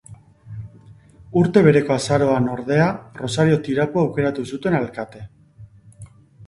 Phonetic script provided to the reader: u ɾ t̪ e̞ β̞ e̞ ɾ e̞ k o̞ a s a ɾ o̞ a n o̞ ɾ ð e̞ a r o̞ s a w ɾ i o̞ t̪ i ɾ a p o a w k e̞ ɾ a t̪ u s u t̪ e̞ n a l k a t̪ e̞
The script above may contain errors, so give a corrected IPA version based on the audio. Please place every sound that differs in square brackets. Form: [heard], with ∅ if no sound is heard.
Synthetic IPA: u ɾ t̪ e̞ β̞ e̞ ɾ e̞ k o̞ a s a ɾ o̞ a n o̞ ɾ ð e̞ a r o̞ s a [∅] ɾ i o̞ t̪ i ɾ a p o a w k e̞ ɾ a t̪ u s u t̪ e̞ n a l k a t̪ e̞